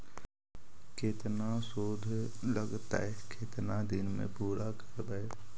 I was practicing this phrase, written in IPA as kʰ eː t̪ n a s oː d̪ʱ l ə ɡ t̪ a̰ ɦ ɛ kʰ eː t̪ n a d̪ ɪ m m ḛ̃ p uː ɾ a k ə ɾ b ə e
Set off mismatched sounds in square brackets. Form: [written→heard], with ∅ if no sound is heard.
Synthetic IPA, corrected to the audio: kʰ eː t̪ n a s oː d̪ʱ l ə ɡ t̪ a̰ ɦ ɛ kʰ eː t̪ n a d̪ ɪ [m→n] m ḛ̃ p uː ɾ a k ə ɾ b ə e